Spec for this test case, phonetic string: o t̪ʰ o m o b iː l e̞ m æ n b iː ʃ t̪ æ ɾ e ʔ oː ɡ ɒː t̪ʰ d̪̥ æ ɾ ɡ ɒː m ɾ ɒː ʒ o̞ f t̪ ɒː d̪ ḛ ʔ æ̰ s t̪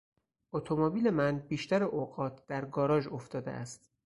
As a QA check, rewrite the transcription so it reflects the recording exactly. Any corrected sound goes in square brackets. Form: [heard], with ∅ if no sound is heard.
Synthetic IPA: o t̪ʰ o m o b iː l e̞ m æ n b iː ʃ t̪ æ ɾ e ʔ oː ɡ ɒː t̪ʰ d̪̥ æ ɾ ɡ ɒː [∅] ɾ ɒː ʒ o̞ f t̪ ɒː d̪ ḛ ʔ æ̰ s t̪